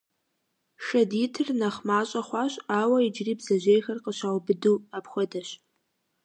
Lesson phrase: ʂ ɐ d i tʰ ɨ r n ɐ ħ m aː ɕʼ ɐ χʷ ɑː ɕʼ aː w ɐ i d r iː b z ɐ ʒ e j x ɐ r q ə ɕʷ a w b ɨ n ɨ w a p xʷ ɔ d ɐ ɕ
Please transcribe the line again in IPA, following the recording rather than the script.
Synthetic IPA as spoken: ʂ ɐ d i tʰ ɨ r n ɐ χ m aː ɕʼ ɐ χʷ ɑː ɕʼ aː w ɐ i d͡ʒ r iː b z ɐ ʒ e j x ɐ r q ə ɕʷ a w b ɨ d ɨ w a p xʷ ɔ d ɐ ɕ

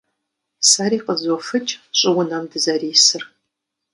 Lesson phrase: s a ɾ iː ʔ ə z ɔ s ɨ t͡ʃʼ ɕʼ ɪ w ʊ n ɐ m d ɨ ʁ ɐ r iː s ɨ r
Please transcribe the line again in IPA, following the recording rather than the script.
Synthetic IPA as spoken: s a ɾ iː q ə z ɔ f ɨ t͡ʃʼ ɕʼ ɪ w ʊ n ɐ m d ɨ z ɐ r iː s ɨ r

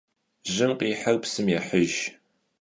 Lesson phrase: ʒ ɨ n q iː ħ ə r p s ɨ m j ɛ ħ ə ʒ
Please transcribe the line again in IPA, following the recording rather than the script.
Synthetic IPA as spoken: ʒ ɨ m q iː ħ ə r p s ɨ m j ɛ ħ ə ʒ

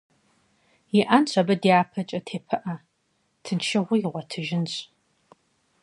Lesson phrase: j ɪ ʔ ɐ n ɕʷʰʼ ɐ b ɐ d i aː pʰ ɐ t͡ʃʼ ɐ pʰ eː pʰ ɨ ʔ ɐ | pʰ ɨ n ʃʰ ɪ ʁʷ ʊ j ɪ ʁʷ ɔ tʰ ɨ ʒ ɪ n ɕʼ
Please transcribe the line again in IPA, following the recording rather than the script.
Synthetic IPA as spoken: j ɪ ʔ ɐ n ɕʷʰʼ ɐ b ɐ d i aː pʰ ɐ t͡ʃʼ ɐ tʰ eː pʰ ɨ ʔ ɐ | tʰ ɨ n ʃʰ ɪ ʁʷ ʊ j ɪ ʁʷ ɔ tʰ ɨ ʒ ɪ n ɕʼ

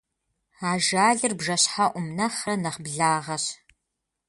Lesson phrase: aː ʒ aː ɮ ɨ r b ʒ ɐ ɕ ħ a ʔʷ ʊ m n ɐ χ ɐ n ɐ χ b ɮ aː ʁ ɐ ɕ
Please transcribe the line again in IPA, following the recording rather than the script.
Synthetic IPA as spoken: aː ʒ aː ɮ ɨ r b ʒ ɐ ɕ ħ a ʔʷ ʊ m n ɐ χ ɐ n ɐ χ b ɮ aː ʁ ɐ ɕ

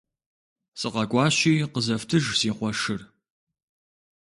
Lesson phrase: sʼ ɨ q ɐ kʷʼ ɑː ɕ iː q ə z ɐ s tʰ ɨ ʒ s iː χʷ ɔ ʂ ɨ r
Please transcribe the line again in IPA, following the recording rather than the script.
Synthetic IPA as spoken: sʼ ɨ q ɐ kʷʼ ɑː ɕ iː q ə z ɐ f tʰ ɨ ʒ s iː χʷ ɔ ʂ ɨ r

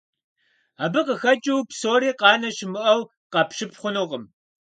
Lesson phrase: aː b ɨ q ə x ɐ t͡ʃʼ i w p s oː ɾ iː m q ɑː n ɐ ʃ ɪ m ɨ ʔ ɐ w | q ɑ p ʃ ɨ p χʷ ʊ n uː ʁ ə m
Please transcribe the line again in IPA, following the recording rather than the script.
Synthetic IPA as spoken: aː b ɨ q ə x ɐ t͡ʃʼ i w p s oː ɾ iː q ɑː n ɐ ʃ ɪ m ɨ ʔ ɐ w | q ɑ p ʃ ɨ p χʷ ʊ n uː ʁ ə m

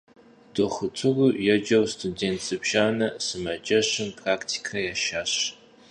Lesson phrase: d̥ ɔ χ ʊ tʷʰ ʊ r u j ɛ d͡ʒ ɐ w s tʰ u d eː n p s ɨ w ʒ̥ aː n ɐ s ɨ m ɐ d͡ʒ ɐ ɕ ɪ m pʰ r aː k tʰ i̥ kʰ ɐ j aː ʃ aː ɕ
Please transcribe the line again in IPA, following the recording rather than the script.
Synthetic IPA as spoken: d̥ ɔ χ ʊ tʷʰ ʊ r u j ɛ d͡ʒ ɐ w s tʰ u d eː n t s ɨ b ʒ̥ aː n ɐ s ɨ m ɐ d͡ʒ ɐ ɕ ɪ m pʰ r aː k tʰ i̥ kʰ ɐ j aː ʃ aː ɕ

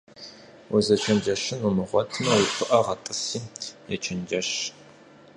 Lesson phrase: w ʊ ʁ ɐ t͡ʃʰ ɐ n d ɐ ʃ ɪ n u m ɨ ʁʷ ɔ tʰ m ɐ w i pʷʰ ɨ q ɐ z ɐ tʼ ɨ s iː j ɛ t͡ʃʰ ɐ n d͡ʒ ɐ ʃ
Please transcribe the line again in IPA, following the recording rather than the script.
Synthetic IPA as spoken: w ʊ z ɐ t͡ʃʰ ɐ n d͡ʒ ɐ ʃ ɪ n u m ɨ ʁʷ ɔ tʰ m ɐ w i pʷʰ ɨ ʔ ɐ ʁ ɐ tʼ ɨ s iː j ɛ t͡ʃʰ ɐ n d͡ʒ ɐ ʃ

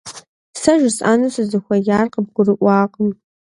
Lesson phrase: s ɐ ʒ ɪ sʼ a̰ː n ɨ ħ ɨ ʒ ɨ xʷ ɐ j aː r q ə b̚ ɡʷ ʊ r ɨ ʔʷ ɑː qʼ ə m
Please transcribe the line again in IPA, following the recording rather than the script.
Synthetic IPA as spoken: s ɐ ʒ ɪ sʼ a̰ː n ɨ s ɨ z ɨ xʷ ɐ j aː r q ə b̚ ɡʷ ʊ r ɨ ʔʷ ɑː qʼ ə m

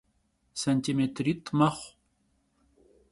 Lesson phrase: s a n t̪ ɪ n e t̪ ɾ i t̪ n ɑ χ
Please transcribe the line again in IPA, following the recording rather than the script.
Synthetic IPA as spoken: s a n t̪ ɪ m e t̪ ɾ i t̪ m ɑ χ

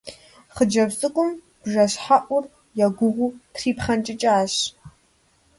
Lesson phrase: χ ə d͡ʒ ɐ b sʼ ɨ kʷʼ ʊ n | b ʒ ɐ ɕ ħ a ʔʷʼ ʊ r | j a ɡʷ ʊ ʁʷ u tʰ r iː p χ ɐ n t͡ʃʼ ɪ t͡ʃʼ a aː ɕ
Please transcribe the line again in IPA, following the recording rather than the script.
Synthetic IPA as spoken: χ ə d͡ʒ ɐ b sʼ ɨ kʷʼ ʊ m | b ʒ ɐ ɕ ħ a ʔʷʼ ʊ r | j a ɡʷ ʊ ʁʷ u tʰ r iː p χ ɐ n t͡ʃʼ ɪ t͡ʃʼ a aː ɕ

